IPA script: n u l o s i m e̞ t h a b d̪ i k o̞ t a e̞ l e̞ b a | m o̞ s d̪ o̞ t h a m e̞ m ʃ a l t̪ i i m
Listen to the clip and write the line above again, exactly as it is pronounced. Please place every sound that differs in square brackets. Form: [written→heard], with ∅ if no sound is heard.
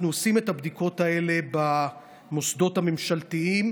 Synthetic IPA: n u [l→∅] o s i m e̞ t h a b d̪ i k o̞ t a e̞ l e̞ b a | m o̞ s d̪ o̞ t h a m e̞ m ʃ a l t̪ i i m